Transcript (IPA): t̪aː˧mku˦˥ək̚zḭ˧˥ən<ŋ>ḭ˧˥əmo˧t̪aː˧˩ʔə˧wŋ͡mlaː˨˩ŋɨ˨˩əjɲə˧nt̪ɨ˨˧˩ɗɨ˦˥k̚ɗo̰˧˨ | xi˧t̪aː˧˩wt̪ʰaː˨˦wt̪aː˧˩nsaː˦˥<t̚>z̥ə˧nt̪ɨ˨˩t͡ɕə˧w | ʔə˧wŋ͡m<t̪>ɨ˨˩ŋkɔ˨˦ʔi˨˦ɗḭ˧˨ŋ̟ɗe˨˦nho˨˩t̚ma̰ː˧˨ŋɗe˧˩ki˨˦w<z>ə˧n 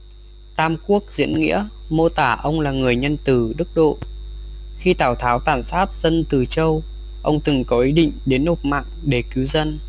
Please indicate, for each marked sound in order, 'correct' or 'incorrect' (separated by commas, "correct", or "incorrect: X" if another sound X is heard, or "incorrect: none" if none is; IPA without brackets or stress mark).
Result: correct, correct, correct, correct